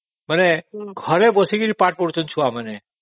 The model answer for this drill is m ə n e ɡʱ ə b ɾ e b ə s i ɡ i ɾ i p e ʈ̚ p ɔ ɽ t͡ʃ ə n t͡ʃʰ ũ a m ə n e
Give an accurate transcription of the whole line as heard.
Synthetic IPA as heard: m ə n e ɡʱ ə ɾ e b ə s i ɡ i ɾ i p a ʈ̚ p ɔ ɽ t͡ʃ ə n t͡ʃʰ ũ a m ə n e